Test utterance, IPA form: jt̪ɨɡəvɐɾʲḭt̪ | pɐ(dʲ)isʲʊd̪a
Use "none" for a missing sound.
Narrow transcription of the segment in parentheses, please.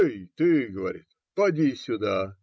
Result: dʲ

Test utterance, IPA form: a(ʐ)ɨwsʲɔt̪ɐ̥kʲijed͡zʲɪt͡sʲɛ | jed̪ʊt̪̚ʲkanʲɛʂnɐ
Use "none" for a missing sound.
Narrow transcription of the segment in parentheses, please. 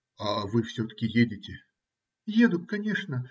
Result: v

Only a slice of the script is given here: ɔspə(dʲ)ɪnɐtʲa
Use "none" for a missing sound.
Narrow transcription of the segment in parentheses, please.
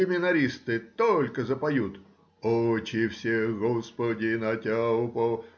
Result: dʲ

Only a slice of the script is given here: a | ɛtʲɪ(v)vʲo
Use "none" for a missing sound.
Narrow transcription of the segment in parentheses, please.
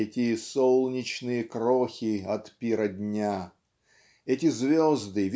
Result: z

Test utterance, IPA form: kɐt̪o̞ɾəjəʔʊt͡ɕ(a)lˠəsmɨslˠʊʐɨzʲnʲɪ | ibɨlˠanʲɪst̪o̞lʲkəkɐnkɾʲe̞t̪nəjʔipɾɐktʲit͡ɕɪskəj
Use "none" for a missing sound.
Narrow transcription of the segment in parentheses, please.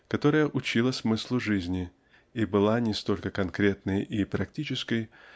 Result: i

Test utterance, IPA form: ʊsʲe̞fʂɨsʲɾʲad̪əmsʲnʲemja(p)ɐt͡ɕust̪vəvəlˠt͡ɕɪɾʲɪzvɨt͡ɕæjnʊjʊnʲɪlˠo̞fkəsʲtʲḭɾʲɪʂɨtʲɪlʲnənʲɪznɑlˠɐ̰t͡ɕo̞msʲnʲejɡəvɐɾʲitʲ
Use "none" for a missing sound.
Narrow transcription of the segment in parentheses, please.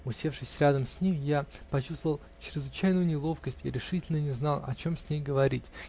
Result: p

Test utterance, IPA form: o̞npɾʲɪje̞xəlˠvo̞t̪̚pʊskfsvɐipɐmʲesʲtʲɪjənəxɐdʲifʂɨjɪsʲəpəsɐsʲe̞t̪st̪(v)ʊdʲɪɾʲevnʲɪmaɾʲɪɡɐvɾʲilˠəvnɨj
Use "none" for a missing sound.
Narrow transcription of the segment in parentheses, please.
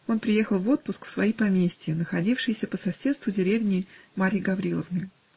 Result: v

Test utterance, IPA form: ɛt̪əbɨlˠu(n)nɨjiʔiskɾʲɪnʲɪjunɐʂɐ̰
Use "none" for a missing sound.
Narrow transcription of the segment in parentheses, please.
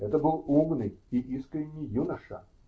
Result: m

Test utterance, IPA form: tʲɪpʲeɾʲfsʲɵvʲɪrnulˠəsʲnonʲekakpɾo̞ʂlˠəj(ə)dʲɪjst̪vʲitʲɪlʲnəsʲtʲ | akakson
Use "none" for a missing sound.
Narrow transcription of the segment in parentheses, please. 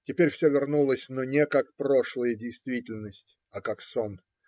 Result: ə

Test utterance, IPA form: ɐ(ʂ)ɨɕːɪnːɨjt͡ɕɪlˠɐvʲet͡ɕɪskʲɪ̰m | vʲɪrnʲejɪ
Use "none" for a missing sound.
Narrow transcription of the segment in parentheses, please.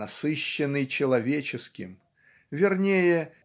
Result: s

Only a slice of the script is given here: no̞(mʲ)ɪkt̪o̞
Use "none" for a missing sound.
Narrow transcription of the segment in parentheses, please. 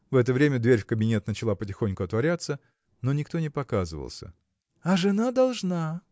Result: nʲ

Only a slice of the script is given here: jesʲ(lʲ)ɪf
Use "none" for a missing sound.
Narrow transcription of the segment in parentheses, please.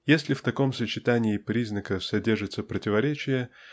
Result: lʲ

